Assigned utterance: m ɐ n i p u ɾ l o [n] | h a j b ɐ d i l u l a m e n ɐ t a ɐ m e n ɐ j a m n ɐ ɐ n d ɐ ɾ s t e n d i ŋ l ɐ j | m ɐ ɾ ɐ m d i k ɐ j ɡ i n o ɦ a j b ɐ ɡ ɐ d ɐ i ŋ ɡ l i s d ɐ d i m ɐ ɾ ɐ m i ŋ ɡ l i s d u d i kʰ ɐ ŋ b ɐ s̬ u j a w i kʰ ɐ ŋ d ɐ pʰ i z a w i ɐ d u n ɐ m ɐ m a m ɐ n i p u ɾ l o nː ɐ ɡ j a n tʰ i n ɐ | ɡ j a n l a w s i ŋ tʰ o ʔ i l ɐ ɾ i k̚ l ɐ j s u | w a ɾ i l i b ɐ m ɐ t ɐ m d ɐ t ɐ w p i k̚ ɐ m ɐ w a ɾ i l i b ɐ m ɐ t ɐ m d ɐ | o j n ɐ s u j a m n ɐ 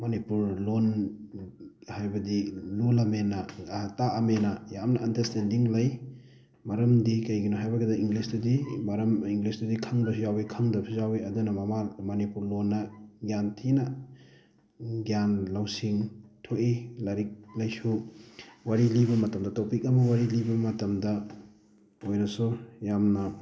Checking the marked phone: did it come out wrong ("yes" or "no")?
no